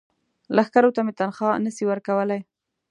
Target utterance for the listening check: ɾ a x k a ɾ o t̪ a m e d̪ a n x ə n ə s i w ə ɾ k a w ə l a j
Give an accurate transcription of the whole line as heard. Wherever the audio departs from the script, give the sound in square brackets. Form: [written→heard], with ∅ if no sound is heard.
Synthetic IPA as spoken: [ɾ→l] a x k a ɾ o t̪ a m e [d̪→t̪] a n x [ə→ɑ] n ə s i w ə ɾ k a w ə l a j